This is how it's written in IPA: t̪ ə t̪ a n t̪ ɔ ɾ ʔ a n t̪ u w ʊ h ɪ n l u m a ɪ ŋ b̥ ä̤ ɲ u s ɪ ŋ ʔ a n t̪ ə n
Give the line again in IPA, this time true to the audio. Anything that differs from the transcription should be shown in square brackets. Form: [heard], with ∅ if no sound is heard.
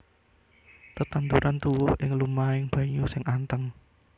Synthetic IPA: t̪ ə t̪ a n t̪ [u] ɾ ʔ a n t̪ u w ʊ h ɪ [ŋ] l u m a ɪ ŋ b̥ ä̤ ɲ u s ɪ ŋ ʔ a n t̪ ə [ŋ]